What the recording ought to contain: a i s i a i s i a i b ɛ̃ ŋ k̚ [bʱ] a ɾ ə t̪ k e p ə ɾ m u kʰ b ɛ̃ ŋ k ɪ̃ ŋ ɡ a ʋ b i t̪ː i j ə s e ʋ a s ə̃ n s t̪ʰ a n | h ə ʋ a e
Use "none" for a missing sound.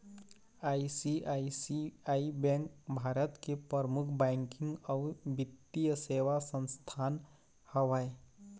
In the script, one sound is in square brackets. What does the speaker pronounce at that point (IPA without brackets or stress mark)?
bʱ